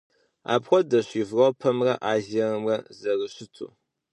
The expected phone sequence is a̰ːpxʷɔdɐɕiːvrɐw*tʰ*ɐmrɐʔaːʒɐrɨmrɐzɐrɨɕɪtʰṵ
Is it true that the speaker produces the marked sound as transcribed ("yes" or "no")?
no